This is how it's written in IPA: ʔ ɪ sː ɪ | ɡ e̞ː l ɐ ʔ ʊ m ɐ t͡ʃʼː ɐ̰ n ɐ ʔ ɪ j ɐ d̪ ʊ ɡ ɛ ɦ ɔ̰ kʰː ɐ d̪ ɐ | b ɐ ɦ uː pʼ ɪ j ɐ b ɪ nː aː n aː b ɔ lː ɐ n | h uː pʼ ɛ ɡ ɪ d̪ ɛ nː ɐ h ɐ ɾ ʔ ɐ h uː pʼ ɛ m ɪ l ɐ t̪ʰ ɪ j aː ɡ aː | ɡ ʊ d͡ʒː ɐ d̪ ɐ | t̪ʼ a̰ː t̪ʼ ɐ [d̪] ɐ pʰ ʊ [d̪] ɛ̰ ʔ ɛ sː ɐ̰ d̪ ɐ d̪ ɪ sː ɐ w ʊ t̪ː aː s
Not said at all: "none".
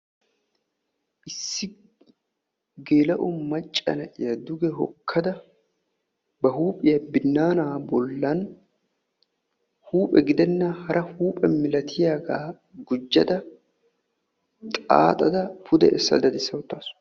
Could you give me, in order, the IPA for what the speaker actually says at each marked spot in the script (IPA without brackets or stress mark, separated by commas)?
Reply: d̪, d̪